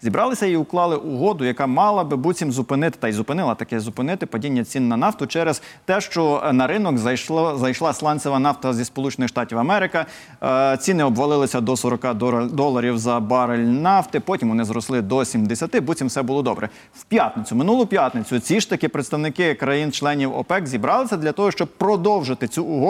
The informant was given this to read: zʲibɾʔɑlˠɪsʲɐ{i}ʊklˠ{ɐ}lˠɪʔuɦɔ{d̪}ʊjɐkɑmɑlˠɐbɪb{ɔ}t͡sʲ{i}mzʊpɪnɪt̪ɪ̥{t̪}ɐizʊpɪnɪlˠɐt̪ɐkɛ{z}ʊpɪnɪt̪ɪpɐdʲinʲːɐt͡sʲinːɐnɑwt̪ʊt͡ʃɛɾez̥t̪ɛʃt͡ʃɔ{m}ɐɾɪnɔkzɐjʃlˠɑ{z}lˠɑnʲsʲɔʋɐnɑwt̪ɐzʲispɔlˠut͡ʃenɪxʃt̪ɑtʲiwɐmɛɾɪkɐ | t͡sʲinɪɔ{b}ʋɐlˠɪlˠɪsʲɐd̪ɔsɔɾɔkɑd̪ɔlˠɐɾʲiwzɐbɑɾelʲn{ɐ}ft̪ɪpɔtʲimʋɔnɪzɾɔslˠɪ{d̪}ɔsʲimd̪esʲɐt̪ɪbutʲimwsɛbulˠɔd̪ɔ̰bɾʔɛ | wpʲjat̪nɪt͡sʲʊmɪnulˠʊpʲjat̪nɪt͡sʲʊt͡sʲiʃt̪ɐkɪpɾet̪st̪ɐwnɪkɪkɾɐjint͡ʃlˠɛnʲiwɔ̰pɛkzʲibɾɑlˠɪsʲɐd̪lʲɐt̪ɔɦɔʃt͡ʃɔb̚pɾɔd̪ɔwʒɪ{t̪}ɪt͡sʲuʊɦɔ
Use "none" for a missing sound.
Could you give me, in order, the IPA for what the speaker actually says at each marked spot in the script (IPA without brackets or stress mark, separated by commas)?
i, ɑ, d̪, u, i, t̪, z, n, s, b, ɑ, d̪, t̪